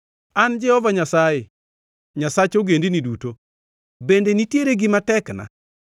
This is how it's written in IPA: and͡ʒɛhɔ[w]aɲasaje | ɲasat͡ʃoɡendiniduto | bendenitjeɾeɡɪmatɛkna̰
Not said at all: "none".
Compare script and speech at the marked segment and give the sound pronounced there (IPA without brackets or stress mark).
v